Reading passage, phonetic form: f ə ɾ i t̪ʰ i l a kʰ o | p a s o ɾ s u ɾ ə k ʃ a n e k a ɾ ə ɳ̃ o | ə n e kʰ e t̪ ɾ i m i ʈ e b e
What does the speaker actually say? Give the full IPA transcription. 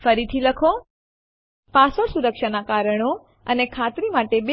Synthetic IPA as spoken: f ə ɾ i t̪ʰ i l ə kʰ o | p a s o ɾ s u ɾ ə k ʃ a n a k a ɾ ə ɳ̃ o | ə n e kʰ a t̪ ɾ i m a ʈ e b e